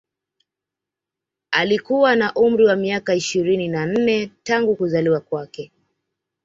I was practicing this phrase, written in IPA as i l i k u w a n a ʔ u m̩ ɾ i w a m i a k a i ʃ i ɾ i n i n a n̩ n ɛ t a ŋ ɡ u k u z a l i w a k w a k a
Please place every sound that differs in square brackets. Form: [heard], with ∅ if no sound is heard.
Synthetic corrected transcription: [a] l i k u w a n a ʔ u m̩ ɾ i w a m i a k a i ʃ i ɾ i n i n a n̩ n ɛ t a ŋ ɡ u k u z a l i w a k w a k [ɛ]